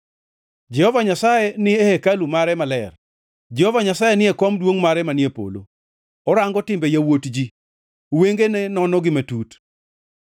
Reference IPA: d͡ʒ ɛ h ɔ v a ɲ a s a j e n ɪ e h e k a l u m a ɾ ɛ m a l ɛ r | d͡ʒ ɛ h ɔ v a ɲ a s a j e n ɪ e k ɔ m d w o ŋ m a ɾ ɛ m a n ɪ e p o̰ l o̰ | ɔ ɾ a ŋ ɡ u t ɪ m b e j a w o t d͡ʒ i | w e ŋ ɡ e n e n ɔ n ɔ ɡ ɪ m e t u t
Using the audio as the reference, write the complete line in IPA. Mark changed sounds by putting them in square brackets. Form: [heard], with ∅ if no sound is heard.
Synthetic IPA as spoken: d͡ʒ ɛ h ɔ v a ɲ a s a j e n ɪ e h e k a l u m a ɾ ɛ m a l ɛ r | d͡ʒ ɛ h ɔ v a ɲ a s a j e n ɪ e k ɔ m d w o ŋ m a ɾ ɛ m a n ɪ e p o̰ l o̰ | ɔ ɾ a ŋ ɡ [ɔ] t ɪ m b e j a w o t d͡ʒ i | w e ŋ ɡ e n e n ɔ n ɔ ɡ ɪ m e t u t